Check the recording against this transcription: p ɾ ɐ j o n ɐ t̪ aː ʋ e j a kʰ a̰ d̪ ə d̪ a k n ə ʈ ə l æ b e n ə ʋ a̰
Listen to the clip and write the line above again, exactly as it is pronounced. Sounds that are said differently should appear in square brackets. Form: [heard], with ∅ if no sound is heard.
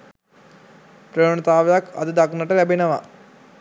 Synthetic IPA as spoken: p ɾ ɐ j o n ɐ t̪ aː ʋ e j a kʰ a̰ d̪ ə d̪ a k n ə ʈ ə l æ b e n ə ʋ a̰